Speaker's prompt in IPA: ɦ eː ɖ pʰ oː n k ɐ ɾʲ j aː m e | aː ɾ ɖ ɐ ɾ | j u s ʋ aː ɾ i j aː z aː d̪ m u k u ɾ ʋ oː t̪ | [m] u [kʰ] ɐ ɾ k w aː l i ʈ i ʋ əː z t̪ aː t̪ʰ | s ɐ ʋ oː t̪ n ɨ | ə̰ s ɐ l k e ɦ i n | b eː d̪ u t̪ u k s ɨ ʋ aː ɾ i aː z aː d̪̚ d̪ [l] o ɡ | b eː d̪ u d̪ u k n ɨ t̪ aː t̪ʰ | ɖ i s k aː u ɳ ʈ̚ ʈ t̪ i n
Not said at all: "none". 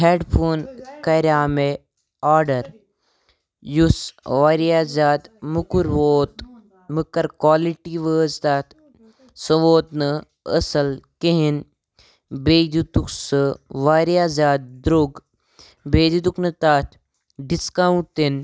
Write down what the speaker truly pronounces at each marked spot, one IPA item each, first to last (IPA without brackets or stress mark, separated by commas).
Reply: m, k, ɾ